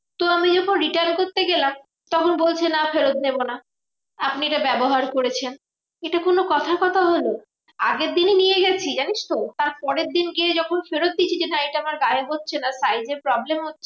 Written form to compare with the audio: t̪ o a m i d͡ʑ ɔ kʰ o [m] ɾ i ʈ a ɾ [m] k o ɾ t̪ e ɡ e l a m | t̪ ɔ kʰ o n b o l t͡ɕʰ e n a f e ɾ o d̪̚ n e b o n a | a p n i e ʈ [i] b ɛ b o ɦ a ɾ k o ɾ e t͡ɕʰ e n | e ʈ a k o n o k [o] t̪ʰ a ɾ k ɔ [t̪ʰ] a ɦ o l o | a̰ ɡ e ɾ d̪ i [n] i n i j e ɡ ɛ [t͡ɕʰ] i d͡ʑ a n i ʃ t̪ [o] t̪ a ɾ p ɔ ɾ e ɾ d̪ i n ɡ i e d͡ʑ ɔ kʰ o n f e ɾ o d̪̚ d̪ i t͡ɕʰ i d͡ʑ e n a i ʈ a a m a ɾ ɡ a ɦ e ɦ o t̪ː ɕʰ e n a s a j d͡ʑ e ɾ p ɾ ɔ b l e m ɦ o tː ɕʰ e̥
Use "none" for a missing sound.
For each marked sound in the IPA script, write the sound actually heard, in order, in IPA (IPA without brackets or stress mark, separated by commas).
n, n, a, ɔ, t̪ʰ, n, t͡ɕʰ, o